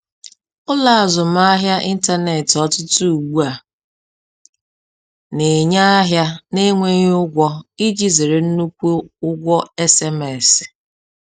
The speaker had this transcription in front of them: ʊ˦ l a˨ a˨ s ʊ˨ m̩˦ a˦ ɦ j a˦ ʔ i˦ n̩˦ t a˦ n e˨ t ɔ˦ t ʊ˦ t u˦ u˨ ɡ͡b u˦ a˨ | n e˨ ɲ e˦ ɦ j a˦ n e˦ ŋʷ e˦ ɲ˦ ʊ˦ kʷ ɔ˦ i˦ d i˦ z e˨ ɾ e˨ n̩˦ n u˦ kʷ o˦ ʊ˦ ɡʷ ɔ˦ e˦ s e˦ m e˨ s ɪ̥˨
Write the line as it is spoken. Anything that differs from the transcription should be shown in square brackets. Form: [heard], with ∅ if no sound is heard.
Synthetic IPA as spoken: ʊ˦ l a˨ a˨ [z] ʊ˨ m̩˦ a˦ ɦ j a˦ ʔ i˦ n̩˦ t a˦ n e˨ t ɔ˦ t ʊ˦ t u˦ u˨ ɡ͡b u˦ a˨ | n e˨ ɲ [a˦] ɦ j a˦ n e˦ ŋʷ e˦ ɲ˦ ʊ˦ [ɡʷ] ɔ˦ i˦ [d͡ʒ] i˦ z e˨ ɾ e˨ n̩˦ n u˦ kʷ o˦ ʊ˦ ɡʷ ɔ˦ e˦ s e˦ m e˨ s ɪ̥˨